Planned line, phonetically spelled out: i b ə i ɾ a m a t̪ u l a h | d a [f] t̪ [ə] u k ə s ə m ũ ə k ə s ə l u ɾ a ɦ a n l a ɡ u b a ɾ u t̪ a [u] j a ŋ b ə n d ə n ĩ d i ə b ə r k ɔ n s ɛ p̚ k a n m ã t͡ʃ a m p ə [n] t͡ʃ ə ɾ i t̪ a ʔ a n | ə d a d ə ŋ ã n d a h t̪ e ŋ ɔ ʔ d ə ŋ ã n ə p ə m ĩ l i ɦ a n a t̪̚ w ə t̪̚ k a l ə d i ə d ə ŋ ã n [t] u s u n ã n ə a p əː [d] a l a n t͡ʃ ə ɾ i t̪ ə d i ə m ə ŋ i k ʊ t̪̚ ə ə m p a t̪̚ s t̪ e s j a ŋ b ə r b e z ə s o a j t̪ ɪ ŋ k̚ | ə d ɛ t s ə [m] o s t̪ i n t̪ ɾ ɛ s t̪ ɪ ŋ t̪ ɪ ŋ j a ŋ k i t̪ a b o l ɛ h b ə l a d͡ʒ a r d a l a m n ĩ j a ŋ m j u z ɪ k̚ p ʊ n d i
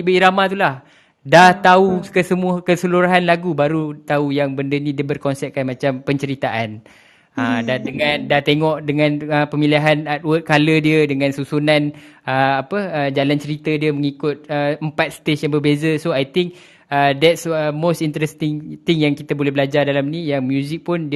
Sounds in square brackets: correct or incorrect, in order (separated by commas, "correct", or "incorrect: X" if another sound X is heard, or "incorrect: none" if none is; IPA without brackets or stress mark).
incorrect: h, incorrect: a, correct, incorrect: ɲ, incorrect: s, incorrect: d͡ʒ, correct